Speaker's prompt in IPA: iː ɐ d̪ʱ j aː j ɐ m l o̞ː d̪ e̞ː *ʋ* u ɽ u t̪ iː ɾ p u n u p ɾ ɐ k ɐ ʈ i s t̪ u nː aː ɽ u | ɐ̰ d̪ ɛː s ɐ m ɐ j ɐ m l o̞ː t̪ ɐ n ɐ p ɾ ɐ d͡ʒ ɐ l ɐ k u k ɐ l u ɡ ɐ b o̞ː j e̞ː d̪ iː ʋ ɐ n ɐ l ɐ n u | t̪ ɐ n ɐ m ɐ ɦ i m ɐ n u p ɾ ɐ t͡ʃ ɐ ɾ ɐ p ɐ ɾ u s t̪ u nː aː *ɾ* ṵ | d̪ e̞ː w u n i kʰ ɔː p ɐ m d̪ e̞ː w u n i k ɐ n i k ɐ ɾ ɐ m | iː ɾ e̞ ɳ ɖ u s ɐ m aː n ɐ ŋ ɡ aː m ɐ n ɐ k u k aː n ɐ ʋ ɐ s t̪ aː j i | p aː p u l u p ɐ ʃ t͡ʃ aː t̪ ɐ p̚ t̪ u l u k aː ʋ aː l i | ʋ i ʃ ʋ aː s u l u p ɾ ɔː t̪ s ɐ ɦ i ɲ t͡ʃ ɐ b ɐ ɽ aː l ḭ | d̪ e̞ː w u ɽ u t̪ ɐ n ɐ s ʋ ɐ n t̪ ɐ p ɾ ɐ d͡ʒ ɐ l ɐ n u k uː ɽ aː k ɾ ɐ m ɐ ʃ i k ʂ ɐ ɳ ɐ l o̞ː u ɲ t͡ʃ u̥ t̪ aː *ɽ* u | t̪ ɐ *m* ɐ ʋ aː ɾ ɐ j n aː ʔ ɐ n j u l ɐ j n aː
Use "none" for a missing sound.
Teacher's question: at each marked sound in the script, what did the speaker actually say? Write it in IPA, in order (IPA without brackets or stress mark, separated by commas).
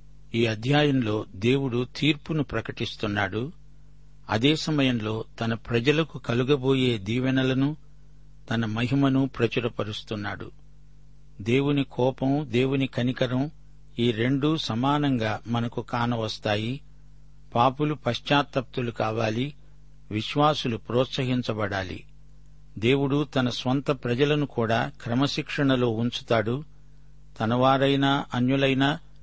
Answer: w, ɽ, ɽ, n